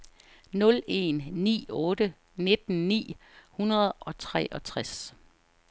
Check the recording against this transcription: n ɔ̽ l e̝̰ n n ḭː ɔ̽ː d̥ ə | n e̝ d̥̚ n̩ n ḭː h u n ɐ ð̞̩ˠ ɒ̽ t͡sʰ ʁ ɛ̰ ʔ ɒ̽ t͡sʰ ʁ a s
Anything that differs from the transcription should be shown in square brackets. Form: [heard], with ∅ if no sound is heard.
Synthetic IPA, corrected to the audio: n ɔ̽ l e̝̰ n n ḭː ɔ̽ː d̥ ə | n e̝ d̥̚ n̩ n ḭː h u n ɐ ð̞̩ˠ ɒ̽ t͡sʰ ʁ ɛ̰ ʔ ɒ̽ t͡sʰ ʁ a s